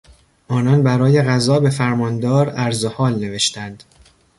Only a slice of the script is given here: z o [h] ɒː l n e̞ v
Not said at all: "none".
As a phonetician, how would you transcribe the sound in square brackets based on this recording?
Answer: h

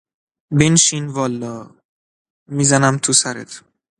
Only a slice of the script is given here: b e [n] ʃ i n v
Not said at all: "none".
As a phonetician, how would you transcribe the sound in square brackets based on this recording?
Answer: n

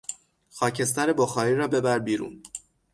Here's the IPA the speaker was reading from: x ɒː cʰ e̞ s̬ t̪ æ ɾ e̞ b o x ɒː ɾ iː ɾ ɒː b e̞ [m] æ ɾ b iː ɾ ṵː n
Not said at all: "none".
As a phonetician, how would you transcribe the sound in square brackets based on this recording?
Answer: b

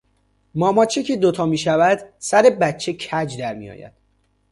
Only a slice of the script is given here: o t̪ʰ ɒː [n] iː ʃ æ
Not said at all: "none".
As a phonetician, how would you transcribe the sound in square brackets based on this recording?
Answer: m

